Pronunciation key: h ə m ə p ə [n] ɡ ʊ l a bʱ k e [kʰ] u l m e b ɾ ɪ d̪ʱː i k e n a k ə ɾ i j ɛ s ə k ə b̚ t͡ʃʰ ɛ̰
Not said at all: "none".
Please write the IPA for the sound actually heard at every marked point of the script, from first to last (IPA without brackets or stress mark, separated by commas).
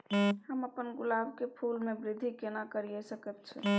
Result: n, pʰ